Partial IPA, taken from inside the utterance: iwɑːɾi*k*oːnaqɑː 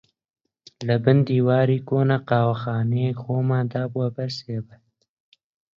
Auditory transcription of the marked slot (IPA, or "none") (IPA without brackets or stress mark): k